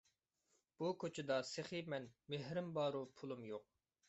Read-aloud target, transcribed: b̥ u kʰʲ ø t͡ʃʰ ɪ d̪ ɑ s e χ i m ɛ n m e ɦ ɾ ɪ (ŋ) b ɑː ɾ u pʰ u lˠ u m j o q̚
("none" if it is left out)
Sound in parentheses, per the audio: m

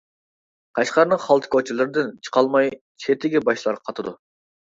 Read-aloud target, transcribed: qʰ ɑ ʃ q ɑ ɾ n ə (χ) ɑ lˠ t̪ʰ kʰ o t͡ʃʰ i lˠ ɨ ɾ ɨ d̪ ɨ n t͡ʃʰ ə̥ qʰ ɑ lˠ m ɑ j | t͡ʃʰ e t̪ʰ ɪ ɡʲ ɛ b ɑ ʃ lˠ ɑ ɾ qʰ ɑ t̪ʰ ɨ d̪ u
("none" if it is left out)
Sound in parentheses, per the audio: χ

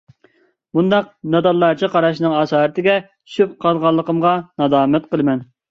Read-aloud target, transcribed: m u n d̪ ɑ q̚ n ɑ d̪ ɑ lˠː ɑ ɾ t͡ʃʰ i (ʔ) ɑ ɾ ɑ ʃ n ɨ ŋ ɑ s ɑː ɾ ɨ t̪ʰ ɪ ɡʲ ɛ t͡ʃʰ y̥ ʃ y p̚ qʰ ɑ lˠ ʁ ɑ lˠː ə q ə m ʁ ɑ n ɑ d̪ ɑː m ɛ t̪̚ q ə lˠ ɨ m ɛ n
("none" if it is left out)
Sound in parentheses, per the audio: q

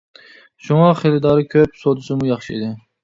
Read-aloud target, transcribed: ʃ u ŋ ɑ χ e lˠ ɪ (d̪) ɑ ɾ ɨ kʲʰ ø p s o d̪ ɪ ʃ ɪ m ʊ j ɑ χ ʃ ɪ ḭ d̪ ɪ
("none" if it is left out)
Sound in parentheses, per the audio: d̪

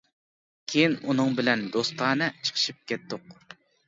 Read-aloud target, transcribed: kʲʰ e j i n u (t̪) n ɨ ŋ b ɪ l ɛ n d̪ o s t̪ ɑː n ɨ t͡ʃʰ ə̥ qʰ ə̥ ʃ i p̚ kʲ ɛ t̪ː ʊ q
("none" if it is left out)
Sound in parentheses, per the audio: none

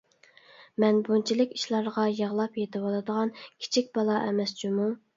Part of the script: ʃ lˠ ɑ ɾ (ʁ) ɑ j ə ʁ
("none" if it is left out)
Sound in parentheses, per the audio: ʁ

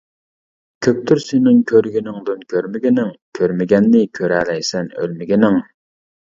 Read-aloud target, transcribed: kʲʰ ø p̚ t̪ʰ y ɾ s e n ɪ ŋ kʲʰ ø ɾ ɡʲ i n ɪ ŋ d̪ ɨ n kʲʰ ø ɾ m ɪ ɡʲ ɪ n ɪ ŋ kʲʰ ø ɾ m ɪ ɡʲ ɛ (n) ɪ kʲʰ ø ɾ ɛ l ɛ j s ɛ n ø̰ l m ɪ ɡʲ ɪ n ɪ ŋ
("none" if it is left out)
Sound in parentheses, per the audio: nː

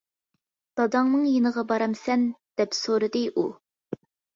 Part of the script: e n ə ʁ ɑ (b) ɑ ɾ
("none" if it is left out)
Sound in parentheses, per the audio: b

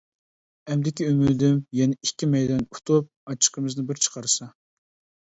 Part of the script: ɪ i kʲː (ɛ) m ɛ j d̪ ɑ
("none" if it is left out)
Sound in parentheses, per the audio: i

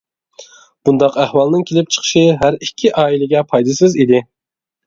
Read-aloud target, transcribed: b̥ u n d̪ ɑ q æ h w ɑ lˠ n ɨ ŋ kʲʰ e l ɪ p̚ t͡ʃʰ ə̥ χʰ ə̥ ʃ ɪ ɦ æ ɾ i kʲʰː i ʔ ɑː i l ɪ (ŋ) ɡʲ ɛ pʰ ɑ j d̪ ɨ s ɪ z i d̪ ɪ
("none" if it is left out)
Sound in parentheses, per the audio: none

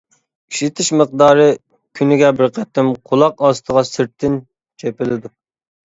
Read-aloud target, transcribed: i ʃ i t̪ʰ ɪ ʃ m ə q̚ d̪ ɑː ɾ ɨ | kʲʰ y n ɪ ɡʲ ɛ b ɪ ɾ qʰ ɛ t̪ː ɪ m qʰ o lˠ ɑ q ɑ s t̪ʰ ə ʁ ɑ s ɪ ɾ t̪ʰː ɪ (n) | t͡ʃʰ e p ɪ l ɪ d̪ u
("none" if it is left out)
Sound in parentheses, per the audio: n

